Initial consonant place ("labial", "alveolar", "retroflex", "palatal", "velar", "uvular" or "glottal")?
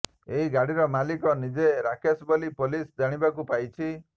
glottal